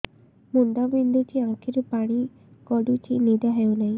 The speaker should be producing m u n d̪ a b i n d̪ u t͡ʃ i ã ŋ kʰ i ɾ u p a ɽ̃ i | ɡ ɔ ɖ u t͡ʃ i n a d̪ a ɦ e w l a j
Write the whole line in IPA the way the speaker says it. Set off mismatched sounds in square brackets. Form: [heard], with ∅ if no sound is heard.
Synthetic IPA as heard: m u n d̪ a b i n d̪ u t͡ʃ i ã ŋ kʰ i ɾ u p a ɽ̃ i | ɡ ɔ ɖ u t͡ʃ i n [i] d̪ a ɦ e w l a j